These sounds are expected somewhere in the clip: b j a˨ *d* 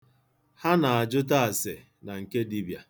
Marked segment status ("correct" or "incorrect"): incorrect